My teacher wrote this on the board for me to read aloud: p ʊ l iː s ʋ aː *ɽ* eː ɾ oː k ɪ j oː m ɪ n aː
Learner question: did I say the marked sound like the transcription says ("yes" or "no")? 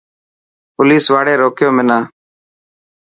yes